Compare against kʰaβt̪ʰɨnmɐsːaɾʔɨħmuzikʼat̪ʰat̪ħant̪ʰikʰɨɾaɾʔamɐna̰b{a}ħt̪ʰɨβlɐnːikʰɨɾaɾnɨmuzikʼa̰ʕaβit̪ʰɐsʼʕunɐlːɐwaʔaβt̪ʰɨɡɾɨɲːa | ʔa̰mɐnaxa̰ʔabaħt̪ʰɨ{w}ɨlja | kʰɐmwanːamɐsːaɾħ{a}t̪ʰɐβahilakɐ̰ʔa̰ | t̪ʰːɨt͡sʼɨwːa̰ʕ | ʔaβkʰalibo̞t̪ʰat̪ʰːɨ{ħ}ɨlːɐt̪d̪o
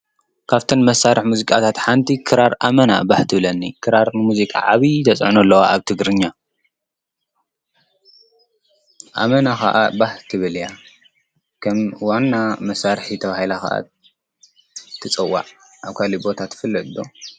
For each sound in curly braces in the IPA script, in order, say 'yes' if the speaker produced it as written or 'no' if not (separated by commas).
yes, no, no, no